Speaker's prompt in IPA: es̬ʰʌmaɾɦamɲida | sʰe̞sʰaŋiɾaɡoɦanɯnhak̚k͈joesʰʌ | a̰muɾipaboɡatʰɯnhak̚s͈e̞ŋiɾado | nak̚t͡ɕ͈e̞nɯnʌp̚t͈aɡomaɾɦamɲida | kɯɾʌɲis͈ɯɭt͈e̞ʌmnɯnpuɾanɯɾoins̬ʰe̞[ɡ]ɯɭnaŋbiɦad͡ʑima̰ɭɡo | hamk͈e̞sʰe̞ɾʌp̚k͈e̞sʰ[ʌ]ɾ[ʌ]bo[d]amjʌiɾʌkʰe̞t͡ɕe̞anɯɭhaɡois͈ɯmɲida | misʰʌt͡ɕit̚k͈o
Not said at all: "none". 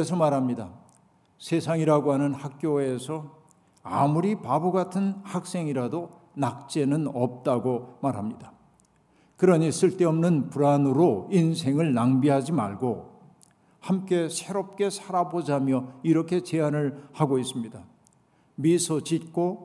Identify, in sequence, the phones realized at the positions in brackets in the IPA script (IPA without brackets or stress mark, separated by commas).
ŋ, a, a, d͡ʑ